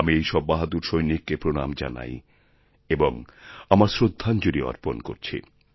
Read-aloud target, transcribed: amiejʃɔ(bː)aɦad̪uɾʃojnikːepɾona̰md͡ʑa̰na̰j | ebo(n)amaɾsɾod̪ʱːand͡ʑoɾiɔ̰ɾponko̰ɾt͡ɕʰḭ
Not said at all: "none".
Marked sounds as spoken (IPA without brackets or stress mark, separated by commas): bː, ŋ